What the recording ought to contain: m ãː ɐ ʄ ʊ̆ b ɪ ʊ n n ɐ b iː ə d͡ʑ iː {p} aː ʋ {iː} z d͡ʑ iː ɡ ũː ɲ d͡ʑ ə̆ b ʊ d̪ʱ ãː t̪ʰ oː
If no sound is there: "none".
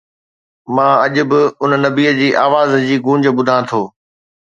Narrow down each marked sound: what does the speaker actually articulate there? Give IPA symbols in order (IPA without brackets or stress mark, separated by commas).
ʔ, aː